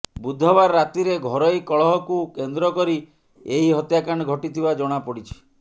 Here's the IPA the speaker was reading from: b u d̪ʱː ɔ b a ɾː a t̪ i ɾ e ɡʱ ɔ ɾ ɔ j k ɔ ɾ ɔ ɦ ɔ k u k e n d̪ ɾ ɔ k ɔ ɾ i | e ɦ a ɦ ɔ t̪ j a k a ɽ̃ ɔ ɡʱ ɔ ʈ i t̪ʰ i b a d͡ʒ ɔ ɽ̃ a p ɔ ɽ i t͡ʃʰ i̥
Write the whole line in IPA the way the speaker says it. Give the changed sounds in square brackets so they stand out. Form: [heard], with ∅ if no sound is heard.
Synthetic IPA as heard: b u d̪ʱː ɔ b a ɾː a t̪ i ɾ e ɡʱ ɔ ɾ ɔ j k ɔ [ɭ] ɔ ɦ ɔ k u k e n d̪ ɾ ɔ k ɔ ɾ i | e ɦ [i] ɦ ɔ t̪ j a k a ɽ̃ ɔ ɡʱ ɔ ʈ i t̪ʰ i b a d͡ʒ ɔ ɽ̃ a p ɔ ɽ i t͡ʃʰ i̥